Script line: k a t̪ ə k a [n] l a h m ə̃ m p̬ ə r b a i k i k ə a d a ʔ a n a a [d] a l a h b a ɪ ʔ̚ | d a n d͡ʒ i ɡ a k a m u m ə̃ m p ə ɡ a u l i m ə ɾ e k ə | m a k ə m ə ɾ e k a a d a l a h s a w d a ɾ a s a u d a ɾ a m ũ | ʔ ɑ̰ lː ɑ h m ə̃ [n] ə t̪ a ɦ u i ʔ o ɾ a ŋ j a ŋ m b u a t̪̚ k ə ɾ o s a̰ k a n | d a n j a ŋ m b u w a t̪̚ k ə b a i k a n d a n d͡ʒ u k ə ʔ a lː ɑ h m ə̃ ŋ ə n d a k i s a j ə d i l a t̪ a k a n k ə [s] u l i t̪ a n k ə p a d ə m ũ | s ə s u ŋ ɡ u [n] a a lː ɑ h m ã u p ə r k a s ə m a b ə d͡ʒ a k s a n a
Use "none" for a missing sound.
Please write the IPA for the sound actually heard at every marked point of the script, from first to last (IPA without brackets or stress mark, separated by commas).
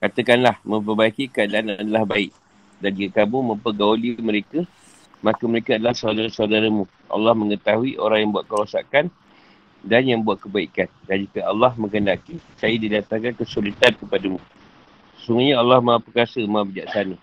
n, d, ŋ, s, ɲ